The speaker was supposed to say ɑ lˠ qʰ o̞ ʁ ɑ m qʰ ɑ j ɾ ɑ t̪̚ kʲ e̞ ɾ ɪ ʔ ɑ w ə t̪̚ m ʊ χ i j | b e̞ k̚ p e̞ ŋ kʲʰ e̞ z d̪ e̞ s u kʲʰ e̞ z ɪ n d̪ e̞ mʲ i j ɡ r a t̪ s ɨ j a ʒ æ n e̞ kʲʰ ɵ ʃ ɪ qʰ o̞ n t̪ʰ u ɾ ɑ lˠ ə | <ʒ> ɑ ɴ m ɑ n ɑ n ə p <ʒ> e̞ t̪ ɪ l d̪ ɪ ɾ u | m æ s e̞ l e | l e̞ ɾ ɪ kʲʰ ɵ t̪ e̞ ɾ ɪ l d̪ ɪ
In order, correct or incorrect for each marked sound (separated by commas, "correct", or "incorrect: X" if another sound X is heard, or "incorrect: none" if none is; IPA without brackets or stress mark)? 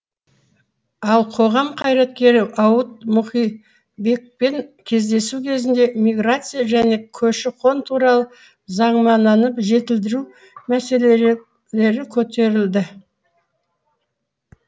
incorrect: z, correct